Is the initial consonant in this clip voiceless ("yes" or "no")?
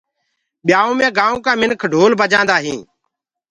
no